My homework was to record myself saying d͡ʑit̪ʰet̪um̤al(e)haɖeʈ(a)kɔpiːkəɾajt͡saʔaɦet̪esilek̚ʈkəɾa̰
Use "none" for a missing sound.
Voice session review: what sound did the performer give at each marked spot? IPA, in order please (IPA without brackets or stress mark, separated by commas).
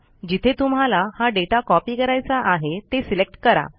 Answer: a, a